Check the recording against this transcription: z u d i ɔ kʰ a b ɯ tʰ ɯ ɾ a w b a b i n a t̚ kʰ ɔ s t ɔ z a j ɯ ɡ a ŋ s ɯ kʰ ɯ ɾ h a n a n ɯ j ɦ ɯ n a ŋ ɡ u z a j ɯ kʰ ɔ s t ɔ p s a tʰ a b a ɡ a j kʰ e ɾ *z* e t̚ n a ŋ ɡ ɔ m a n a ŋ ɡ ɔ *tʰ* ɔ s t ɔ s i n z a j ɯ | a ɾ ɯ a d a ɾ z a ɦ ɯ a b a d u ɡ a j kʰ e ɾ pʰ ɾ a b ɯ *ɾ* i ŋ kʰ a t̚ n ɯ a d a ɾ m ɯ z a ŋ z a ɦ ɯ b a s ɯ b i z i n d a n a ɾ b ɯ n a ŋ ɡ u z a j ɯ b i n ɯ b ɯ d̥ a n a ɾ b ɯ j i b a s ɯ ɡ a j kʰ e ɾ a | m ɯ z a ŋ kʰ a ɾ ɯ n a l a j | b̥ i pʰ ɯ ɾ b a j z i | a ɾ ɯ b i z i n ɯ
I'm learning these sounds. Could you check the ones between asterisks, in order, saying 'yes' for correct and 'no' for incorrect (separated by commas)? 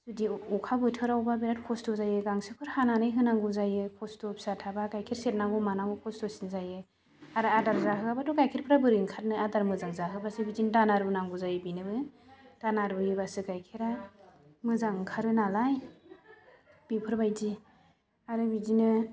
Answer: no, no, yes